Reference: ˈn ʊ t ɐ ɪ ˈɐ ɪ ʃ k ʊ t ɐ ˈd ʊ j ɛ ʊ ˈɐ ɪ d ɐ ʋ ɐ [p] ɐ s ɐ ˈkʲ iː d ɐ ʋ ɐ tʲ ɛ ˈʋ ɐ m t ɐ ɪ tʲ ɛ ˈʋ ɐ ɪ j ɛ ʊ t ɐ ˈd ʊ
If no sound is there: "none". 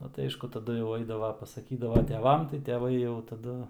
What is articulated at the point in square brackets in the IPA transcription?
p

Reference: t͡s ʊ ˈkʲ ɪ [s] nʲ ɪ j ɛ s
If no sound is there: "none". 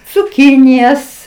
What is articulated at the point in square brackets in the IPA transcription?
none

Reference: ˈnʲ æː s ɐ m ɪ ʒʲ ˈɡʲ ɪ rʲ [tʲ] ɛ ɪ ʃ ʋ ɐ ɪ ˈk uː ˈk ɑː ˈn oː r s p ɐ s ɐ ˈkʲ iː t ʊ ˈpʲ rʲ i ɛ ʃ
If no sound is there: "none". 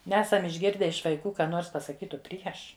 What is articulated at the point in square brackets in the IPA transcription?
dʲ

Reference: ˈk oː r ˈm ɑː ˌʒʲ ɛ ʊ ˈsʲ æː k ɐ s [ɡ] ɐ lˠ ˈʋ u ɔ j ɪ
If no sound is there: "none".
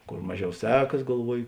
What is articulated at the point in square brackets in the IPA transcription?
ɡ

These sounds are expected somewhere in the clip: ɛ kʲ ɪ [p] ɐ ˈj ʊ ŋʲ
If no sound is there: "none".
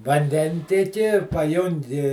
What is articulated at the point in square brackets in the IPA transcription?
p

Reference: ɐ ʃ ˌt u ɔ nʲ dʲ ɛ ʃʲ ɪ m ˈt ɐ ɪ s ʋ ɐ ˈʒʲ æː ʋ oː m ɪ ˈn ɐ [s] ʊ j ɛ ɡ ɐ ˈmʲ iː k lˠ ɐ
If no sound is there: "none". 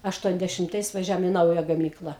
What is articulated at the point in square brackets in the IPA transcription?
none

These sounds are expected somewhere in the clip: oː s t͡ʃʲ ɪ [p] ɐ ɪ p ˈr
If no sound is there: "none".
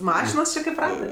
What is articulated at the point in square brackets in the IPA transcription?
k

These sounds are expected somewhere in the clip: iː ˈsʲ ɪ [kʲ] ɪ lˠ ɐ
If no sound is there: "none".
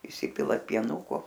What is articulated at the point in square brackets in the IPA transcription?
pʲ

